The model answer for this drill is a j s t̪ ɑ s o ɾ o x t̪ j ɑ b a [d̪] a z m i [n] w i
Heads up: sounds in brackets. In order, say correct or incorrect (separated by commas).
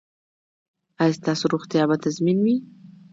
incorrect, correct